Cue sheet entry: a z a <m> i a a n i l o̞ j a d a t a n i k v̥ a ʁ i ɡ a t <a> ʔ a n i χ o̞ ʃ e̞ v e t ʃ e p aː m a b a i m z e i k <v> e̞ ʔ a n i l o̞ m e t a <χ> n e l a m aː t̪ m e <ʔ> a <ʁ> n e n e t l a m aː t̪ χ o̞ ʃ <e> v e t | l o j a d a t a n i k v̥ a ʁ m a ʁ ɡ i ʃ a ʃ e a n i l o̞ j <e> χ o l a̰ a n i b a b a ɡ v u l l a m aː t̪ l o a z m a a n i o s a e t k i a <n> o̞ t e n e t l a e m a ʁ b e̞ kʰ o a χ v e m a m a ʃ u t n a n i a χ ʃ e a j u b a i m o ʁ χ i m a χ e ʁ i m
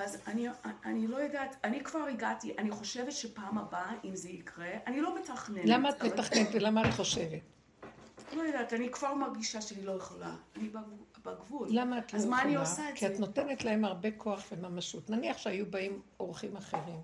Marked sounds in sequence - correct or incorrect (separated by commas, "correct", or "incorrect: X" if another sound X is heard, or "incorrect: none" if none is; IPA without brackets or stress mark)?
incorrect: n, incorrect: i, incorrect: ʁ, correct, incorrect: t, incorrect: χ, correct, correct, correct